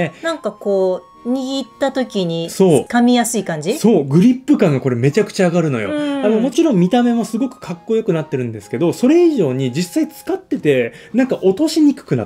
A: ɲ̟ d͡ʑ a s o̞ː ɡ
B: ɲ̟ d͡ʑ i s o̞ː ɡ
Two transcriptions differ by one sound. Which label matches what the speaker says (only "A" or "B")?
B